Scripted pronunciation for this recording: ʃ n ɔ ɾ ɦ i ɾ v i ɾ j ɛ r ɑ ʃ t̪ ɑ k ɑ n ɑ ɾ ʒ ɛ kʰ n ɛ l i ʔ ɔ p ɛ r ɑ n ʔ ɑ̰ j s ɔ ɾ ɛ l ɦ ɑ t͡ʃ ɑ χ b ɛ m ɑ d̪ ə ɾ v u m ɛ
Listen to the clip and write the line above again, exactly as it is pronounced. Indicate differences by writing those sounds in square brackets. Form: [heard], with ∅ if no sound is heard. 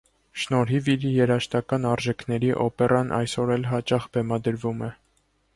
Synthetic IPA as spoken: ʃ n ɔ ɾ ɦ i [∅] v i ɾ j ɛ [ɾ] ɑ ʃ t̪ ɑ k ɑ n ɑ ɾ ʒ ɛ kʰ n ɛ [ɾ] i ʔ ɔ p ɛ r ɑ n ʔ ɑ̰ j s ɔ ɾ ɛ l ɦ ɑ t͡ʃ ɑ χ b ɛ m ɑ d̪ ə ɾ v u m ɛ